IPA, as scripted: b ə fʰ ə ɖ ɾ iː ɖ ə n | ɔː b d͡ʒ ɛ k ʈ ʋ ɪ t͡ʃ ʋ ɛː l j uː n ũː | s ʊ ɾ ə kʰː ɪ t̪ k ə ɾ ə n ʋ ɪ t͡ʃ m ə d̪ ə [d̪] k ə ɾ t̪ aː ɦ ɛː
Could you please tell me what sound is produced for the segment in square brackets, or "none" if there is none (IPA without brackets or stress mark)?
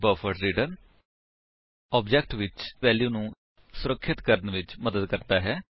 d̪